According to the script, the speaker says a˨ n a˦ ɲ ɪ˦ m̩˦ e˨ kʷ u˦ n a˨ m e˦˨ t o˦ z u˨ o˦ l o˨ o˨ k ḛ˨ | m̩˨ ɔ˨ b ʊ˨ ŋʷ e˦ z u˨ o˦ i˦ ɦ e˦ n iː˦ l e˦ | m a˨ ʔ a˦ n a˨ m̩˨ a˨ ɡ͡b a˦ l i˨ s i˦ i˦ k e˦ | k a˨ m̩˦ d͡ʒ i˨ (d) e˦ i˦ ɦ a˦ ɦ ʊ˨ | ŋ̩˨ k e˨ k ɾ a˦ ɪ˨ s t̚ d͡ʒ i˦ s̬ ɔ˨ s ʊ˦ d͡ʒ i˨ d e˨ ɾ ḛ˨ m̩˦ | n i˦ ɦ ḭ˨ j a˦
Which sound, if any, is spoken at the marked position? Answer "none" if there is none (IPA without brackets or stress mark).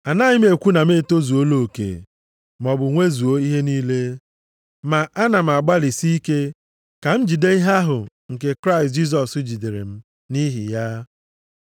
d